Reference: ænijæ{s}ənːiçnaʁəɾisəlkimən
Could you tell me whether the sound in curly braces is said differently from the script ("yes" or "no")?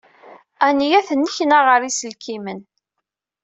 yes